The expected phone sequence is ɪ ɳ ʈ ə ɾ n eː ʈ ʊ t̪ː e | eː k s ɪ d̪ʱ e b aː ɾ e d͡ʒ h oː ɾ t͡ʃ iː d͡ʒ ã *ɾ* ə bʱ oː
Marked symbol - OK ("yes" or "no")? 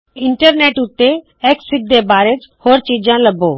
no